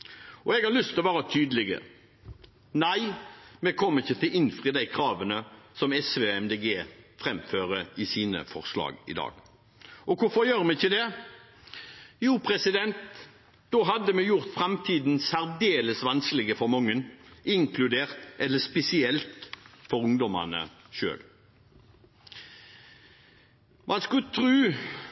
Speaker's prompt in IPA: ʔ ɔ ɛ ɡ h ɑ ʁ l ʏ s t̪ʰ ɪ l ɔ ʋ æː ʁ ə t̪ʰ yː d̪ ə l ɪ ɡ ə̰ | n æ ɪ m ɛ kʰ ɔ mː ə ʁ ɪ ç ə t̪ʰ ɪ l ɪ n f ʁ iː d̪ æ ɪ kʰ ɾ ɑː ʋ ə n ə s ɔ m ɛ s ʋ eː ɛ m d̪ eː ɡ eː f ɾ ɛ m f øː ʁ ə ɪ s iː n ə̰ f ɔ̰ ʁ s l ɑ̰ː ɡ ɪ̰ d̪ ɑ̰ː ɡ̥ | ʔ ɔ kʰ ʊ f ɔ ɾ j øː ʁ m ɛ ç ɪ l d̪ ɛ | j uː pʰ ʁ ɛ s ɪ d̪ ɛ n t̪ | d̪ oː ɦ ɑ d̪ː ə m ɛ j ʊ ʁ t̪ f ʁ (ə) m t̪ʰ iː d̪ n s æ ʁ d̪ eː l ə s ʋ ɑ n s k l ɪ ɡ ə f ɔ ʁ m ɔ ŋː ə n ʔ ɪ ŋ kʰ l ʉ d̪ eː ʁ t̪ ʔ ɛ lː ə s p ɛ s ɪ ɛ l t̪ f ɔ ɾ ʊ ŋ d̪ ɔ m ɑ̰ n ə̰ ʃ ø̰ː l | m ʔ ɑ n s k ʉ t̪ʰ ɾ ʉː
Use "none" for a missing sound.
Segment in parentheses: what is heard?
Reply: ɑ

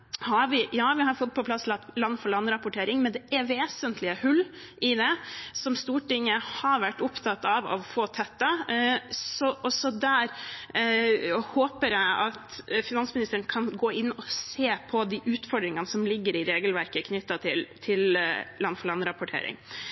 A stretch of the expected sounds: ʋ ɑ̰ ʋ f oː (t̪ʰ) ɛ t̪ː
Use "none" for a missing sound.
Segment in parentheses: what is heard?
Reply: t̪ʰ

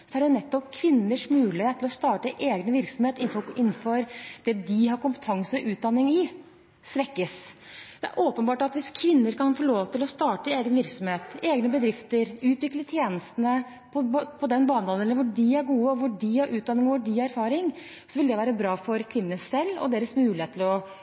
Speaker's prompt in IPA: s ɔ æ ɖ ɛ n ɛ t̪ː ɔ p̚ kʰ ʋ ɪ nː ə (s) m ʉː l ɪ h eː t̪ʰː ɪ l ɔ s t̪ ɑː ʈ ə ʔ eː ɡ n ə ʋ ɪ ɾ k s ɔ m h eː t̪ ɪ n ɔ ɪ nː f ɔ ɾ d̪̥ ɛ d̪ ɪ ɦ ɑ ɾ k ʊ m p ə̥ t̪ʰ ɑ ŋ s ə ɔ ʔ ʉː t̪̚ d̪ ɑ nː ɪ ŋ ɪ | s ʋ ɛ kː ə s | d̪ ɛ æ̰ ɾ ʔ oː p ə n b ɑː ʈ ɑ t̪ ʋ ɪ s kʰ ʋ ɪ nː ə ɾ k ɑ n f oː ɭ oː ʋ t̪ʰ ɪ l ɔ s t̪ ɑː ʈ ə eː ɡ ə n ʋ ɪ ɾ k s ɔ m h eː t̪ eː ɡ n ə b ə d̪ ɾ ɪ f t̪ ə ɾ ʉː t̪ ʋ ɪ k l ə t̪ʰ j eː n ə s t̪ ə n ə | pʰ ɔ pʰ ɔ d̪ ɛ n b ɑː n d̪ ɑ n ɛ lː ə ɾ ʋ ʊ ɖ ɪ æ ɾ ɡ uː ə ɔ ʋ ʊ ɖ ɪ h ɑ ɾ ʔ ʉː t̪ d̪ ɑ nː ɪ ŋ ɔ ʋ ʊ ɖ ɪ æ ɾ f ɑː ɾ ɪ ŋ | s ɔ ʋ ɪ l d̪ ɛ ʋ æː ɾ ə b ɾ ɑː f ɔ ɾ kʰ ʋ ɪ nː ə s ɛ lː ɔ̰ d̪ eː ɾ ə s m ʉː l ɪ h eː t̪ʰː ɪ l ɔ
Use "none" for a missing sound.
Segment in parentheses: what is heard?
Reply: ʂ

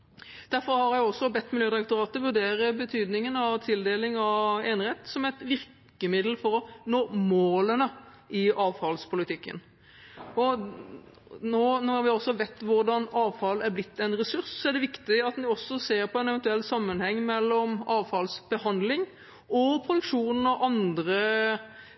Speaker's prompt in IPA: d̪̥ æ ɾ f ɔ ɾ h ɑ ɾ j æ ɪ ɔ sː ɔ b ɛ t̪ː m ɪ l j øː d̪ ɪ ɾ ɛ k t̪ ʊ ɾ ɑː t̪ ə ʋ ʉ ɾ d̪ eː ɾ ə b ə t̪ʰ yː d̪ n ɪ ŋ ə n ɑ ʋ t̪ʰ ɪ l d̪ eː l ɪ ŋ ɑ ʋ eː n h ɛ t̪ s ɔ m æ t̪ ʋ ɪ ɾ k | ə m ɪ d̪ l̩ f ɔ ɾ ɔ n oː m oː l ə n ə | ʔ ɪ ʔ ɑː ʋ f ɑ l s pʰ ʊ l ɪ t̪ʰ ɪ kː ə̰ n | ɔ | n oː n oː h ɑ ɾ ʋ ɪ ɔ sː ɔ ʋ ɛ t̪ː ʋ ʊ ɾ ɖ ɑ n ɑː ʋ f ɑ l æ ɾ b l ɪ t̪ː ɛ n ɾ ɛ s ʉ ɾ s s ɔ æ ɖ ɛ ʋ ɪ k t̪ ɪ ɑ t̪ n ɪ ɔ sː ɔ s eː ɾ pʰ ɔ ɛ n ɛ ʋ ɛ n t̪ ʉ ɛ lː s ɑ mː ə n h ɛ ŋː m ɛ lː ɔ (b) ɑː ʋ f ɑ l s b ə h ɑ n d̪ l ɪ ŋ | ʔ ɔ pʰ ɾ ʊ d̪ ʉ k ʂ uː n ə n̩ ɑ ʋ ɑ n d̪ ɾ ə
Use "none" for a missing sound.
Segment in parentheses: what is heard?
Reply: m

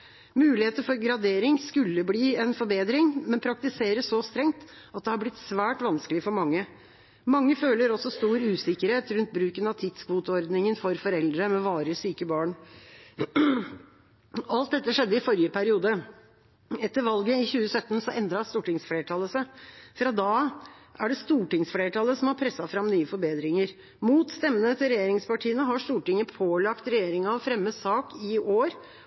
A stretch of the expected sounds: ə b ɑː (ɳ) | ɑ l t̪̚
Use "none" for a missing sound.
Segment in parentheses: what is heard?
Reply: ɳ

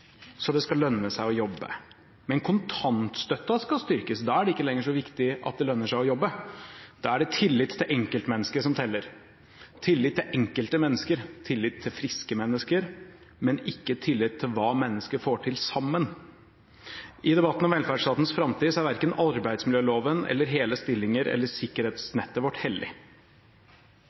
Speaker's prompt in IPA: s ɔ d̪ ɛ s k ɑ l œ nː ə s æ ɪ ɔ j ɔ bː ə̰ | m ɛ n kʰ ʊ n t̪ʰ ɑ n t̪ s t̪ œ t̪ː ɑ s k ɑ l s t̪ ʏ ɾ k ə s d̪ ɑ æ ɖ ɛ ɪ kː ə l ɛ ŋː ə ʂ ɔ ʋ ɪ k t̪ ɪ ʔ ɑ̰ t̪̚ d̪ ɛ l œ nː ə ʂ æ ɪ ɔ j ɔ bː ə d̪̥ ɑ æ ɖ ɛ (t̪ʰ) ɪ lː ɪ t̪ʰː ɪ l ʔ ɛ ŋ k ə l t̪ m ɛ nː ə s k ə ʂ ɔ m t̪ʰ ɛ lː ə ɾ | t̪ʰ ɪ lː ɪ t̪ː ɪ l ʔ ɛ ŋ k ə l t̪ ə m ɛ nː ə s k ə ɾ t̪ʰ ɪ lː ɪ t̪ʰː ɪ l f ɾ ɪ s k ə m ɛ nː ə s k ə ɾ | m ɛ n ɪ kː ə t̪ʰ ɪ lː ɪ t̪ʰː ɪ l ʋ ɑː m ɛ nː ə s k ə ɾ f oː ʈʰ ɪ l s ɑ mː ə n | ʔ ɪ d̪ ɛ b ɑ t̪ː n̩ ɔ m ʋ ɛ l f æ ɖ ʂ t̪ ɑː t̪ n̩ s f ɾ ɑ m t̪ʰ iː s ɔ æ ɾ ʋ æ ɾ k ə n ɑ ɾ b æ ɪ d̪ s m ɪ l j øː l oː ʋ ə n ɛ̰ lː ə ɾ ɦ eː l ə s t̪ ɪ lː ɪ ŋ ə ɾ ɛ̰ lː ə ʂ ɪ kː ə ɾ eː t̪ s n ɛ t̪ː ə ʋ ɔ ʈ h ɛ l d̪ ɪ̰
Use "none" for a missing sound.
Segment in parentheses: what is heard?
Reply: t̪ʰ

